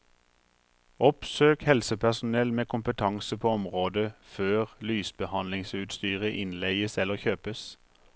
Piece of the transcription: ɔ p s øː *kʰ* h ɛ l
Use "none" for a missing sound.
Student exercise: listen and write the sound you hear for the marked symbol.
k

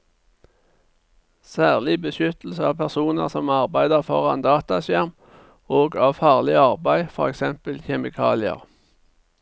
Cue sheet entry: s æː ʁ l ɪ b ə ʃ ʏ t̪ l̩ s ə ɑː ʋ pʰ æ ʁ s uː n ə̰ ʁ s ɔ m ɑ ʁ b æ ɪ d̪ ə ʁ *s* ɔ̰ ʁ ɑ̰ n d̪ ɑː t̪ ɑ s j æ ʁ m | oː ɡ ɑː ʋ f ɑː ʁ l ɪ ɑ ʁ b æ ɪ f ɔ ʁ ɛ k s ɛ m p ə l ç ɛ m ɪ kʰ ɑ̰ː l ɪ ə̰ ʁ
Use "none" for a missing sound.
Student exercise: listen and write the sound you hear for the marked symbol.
f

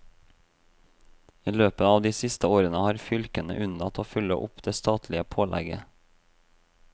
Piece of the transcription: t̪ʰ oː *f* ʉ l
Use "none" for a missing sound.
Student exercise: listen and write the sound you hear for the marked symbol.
f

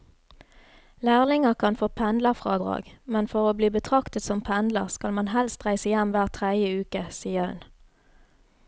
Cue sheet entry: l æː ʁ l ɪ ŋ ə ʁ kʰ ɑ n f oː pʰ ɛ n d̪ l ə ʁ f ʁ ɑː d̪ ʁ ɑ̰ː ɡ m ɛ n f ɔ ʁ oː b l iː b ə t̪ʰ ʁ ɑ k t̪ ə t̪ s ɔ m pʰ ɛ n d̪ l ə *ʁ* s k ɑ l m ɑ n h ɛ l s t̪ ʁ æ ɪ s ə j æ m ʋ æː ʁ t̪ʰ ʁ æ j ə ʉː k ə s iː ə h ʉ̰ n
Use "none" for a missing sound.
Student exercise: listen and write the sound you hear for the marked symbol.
ʁ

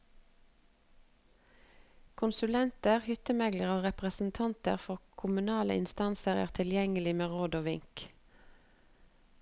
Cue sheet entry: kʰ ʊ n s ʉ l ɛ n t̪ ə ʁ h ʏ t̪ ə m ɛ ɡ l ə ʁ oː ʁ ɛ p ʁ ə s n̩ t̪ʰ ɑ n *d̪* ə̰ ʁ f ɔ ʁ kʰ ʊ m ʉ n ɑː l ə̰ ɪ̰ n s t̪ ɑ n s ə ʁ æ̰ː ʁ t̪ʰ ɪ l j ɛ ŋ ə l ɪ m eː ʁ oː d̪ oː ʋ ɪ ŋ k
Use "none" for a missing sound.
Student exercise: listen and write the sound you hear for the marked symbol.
t̪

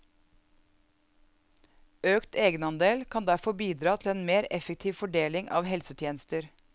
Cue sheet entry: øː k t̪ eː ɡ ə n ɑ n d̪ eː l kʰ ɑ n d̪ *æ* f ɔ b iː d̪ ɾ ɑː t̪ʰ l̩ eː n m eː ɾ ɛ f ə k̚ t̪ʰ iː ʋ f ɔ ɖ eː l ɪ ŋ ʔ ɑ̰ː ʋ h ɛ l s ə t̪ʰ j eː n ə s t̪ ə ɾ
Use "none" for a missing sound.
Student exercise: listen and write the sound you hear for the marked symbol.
æ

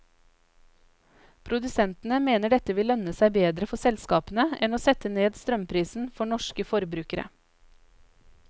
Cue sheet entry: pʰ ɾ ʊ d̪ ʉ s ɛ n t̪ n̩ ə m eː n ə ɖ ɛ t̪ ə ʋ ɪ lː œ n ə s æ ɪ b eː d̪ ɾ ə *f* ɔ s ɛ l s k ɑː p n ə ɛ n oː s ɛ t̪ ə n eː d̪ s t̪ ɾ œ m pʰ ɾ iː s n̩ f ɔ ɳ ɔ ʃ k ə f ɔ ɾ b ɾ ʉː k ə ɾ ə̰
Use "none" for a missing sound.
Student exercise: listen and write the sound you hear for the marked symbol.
f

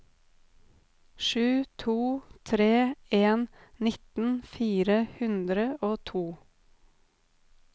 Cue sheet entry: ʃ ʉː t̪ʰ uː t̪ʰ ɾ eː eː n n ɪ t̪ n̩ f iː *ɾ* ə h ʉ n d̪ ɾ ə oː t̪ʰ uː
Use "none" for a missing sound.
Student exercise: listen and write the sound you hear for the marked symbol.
ɾ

